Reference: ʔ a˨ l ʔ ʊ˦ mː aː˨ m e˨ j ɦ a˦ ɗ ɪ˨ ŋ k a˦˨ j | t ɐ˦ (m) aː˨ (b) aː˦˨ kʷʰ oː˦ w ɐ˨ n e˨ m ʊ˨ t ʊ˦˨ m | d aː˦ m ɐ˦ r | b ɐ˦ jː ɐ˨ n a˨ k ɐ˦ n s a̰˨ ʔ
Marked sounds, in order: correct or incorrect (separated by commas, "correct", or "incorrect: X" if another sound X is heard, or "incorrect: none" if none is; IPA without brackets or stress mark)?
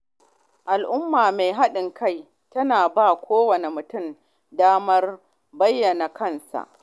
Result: incorrect: n, correct